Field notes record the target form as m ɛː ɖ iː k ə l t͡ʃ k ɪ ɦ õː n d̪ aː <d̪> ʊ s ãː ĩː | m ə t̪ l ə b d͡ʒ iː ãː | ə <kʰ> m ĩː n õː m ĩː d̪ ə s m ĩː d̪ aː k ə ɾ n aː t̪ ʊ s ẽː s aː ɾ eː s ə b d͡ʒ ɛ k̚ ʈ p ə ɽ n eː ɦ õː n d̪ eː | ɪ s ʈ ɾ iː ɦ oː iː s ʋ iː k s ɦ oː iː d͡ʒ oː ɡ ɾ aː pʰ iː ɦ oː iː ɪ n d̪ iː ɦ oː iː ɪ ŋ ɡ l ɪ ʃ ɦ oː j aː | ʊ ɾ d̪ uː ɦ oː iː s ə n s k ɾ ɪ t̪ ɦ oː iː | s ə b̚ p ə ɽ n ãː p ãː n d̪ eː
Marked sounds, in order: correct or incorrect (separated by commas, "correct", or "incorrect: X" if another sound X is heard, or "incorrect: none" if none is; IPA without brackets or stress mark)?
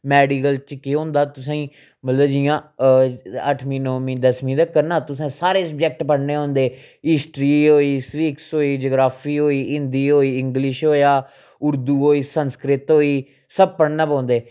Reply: incorrect: t̪, incorrect: ʈʰ